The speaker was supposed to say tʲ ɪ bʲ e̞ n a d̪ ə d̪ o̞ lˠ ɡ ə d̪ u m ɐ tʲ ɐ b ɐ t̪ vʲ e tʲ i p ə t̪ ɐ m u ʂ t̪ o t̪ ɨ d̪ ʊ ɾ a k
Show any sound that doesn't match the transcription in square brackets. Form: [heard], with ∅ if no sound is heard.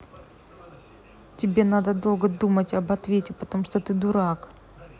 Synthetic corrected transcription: tʲ ɪ bʲ e̞ n a d̪ ə d̪ o̞ lˠ ɡ ə d̪ u m [ə] tʲ ɐ b ɐ t̪ vʲ e tʲ [ɪ] p ə t̪ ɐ m u ʂ t̪ o t̪ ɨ d̪ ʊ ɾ a k